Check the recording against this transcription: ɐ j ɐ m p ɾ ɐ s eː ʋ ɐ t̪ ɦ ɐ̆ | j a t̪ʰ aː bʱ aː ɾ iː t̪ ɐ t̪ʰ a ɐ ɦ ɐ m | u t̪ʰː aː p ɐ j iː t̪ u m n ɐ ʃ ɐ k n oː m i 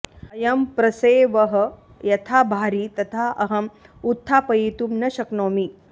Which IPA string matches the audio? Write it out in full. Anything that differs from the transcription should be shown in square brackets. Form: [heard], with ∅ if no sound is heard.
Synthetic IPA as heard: ɐ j ɐ m p ɾ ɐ s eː ʋ ɐ [∅] ɦ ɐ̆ | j [ɐ] t̪ʰ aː bʱ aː ɾ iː t̪ ɐ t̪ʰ a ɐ ɦ ɐ m | u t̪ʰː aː p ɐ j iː t̪ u m n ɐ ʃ ɐ k n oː m i